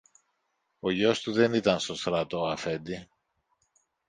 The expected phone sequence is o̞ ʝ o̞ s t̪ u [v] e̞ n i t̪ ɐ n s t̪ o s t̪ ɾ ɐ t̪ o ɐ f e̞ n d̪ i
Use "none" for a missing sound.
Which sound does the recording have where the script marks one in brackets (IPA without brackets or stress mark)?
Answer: ð